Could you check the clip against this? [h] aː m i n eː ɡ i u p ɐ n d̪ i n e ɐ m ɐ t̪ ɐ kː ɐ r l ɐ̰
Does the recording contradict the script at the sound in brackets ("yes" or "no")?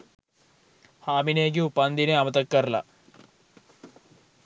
no